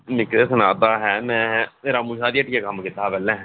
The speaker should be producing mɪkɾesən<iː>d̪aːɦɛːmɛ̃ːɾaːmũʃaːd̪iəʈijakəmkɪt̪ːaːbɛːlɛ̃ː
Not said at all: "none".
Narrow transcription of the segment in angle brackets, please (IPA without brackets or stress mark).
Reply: aː